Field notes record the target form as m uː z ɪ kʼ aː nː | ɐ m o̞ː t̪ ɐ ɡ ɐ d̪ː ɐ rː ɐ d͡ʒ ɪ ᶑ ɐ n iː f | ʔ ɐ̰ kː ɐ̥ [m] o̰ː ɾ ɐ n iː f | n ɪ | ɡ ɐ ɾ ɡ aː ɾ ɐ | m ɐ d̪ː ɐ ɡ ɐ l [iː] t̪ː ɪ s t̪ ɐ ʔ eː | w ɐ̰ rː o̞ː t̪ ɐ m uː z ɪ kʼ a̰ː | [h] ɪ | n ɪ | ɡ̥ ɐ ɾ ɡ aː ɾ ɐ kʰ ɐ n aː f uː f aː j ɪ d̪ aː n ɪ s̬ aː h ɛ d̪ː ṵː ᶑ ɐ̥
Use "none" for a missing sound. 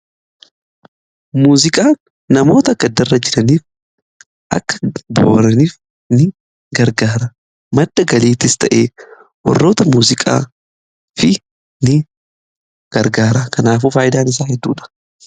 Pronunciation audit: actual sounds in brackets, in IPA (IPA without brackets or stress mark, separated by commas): b, iː, f